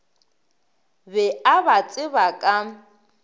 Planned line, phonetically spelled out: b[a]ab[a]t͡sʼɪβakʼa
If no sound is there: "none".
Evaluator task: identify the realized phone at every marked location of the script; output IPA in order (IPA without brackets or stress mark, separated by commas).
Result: ɛ, a